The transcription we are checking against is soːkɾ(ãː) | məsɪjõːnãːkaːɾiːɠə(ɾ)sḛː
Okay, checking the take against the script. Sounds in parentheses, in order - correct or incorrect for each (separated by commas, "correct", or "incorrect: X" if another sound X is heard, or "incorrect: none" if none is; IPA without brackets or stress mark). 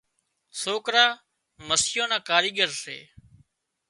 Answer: incorrect: aː, correct